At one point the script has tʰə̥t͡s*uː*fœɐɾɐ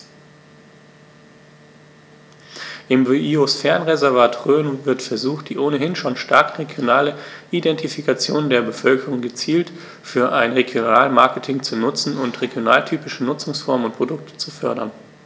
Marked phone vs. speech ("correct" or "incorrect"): incorrect